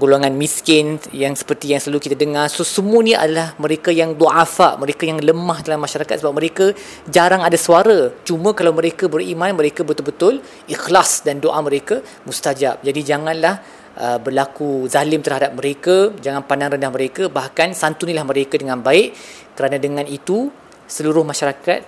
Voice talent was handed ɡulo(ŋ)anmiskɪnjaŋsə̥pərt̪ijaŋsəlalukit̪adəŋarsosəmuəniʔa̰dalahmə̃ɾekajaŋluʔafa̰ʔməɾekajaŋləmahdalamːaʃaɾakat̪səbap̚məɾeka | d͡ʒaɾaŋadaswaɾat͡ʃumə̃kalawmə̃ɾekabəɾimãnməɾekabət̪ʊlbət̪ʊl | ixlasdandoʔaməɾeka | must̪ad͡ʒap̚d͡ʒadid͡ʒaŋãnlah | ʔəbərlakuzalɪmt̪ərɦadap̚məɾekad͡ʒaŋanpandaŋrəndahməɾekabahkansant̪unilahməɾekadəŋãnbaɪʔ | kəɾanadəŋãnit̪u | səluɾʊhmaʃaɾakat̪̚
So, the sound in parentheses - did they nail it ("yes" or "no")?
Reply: yes